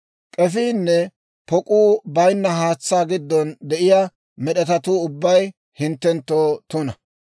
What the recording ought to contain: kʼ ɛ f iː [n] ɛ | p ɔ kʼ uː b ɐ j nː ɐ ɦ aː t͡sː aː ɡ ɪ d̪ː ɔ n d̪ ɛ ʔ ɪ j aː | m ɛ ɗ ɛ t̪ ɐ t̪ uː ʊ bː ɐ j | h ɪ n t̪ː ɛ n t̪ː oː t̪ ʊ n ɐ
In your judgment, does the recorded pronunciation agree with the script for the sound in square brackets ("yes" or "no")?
no